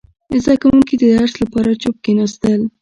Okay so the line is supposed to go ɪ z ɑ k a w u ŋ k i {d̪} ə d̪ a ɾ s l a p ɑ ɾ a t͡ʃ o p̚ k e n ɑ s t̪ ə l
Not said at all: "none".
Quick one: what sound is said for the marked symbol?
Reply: d̪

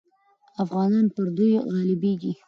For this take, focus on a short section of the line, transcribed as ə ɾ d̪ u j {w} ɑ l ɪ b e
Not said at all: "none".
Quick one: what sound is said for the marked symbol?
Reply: ɣ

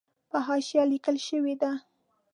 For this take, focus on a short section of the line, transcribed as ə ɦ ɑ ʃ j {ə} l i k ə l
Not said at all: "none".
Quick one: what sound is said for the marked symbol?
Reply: ɑ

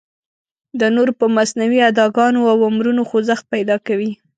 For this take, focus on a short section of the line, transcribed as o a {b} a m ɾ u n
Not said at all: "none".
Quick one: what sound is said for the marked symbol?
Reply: w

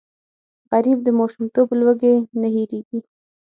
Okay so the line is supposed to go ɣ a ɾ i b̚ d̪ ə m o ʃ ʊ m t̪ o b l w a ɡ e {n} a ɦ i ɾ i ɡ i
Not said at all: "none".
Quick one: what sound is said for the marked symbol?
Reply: n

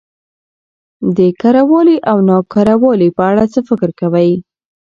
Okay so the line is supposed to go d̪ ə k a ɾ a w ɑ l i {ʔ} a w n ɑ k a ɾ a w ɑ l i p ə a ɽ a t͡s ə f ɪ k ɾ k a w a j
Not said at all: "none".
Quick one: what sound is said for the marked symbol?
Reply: ʔ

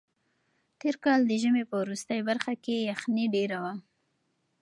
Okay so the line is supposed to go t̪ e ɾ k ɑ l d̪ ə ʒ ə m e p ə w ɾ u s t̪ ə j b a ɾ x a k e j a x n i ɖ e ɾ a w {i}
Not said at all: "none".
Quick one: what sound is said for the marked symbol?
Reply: a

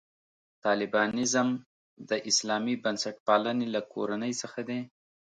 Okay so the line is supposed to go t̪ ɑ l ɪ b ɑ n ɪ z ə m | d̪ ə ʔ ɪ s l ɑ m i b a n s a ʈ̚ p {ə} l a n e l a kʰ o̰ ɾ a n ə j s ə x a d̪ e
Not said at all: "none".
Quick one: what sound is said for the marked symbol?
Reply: ɑ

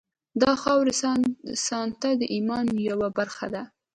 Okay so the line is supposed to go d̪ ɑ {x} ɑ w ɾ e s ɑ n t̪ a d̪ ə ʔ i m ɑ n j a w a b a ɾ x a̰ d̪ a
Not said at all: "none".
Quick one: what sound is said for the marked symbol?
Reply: x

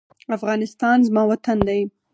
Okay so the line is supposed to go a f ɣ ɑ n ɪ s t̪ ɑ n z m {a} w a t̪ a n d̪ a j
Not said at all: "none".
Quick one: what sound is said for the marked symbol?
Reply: ɑ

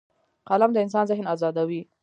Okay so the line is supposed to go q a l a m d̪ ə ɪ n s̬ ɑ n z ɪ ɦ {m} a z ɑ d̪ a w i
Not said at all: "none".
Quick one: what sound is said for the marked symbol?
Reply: n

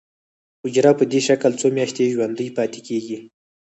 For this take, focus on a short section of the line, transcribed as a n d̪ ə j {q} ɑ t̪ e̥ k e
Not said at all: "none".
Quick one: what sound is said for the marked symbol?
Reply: p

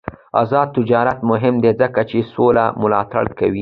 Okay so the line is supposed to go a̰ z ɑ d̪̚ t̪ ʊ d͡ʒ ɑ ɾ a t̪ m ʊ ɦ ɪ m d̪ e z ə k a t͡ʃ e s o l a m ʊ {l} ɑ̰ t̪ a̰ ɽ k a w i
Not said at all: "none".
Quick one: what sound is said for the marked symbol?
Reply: l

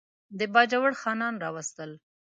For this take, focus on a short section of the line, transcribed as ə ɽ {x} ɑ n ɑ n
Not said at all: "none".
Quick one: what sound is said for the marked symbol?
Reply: x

